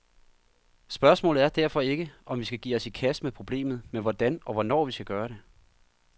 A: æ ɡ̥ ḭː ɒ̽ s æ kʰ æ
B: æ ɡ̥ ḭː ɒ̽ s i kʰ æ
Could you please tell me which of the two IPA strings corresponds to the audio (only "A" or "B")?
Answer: B